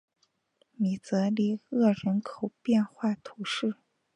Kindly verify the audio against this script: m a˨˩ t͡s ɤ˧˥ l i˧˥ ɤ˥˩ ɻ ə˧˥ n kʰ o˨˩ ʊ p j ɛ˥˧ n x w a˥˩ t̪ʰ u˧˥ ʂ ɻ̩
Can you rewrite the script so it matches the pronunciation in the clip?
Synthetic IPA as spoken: m i˨˩ t͡s ɤ˧˥ l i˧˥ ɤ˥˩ ɻ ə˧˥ n kʰ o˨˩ ʊ p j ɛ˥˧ n x w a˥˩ t̪ʰ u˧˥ ʂ ɻ̩